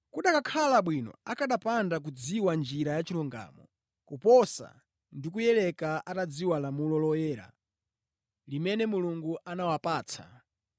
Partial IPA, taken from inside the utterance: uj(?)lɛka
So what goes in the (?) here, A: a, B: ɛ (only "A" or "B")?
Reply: B